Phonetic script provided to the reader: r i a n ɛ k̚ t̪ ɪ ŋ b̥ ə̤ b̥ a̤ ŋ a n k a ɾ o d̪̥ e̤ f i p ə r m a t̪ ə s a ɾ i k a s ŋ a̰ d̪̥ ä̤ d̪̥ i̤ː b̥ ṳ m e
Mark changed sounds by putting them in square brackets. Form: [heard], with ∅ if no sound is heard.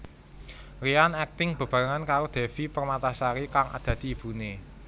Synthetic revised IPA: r i a n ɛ k̚ t̪ ɪ ŋ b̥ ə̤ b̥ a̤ ŋ a n k a ɾ o d̪̥ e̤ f i p ə r m a t̪ [a] s a ɾ i k a [∅] ŋ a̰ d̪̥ ä̤ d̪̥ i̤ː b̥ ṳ [n] e